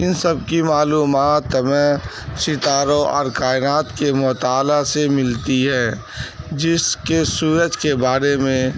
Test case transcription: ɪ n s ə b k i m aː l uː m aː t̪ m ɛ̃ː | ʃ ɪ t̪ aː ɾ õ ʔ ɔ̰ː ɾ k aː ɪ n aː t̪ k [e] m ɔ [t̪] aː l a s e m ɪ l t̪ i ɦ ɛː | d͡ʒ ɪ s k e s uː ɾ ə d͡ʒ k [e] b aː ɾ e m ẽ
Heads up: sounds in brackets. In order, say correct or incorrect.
correct, correct, correct

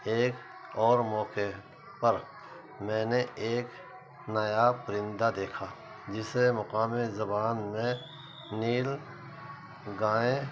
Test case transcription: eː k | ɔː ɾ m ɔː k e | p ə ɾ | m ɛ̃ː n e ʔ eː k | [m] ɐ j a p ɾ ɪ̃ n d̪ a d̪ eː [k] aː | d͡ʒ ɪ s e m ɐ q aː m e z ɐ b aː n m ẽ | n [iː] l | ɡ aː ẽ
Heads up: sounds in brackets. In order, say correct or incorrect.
incorrect, incorrect, correct

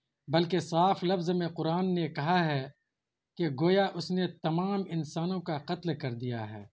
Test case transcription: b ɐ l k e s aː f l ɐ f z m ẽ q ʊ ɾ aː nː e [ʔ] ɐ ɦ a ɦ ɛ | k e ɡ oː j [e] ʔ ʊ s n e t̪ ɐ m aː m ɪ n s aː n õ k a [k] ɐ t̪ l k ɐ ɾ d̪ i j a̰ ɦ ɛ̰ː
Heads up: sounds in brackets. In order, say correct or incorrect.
incorrect, incorrect, incorrect

